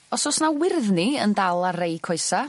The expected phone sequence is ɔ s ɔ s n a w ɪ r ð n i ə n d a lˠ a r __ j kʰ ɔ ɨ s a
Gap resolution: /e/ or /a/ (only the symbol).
e